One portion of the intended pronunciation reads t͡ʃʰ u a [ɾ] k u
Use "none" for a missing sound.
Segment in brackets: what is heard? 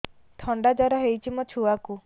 none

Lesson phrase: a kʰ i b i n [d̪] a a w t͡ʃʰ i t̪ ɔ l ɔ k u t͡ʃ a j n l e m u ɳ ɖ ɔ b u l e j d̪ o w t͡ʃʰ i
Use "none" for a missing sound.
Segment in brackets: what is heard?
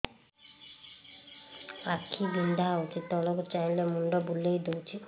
d̪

